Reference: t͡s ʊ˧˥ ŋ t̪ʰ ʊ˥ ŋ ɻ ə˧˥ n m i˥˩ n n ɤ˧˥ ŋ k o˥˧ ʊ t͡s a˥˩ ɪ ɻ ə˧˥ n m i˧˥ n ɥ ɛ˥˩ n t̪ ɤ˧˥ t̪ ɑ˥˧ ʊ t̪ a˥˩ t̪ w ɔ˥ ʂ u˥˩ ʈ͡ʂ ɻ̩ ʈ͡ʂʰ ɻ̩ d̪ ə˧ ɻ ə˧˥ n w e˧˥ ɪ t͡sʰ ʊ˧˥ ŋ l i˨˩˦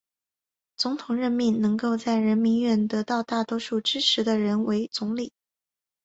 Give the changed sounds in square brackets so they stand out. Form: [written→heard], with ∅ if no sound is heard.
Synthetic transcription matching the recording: t͡s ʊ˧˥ ŋ t̪ʰ [ʊ˥→ʊ˨˩] ŋ ɻ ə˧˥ n m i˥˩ n n ɤ˧˥ ŋ k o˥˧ ʊ t͡s a˥˩ ɪ ɻ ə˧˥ n m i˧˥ n ɥ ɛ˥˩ n t̪ ɤ˧˥ t̪ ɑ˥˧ ʊ t̪ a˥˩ t̪ w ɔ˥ ʂ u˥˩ ʈ͡ʂ ɻ̩ ʈ͡ʂʰ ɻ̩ d̪ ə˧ ɻ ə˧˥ n w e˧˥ ɪ [t͡sʰ→t͡s] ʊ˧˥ ŋ l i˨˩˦